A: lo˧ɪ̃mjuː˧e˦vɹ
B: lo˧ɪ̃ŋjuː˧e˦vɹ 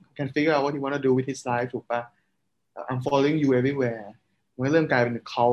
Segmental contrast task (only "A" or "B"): B